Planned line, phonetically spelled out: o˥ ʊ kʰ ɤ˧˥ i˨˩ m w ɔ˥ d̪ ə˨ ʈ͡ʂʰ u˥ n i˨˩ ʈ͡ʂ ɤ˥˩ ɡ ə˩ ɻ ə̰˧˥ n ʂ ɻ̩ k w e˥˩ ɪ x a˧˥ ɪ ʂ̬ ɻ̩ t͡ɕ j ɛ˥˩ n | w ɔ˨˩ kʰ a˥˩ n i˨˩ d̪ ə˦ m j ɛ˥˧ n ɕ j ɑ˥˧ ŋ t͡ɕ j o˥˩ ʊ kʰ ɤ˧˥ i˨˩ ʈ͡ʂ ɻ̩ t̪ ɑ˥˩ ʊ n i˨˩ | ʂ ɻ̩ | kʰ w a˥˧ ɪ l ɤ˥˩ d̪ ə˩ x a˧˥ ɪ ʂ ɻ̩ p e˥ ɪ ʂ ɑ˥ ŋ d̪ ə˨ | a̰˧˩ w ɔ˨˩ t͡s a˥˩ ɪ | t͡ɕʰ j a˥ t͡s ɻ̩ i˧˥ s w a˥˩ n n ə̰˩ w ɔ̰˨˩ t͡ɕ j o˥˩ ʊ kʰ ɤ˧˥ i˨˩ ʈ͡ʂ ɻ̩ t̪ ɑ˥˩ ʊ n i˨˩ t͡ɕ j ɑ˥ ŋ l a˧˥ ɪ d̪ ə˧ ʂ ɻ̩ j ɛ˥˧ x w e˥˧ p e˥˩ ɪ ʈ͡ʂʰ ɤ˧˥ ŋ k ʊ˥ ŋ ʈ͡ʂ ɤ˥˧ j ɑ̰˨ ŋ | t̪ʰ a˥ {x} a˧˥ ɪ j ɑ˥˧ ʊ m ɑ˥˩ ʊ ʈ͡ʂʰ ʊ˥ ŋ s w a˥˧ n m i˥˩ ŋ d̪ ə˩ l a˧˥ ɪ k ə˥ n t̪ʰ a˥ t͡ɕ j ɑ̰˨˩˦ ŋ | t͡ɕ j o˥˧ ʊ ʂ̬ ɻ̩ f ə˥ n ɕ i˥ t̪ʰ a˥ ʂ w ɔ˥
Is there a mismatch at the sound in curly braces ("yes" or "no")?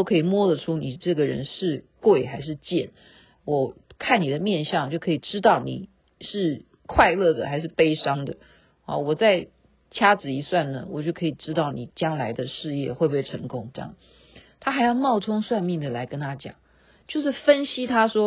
no